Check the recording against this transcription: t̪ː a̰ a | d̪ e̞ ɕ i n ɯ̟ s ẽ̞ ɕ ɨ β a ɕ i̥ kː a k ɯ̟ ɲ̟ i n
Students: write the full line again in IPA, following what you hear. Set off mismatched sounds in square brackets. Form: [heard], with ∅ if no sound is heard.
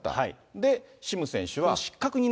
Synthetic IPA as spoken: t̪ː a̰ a | d̪ e̞ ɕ i [m] ɯ̟ s ẽ̞ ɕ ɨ β a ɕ i̥ kː a k ɯ̟ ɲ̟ i n